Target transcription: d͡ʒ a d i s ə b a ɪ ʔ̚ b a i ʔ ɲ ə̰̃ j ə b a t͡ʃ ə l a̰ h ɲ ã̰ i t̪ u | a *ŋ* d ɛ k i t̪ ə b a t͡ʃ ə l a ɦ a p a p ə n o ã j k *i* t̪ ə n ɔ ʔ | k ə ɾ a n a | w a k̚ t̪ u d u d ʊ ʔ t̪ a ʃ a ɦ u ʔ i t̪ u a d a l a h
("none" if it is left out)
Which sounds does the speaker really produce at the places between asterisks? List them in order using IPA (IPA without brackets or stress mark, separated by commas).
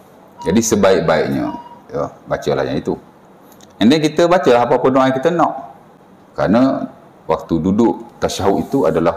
n, i